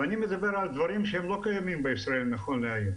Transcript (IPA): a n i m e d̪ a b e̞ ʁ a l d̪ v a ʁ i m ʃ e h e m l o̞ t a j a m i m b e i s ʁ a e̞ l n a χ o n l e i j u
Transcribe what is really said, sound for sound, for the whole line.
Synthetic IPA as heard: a n i m e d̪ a b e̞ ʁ a l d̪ v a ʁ i m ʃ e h e m l o̞ k a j a m i m b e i s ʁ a e̞ l n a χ o n l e a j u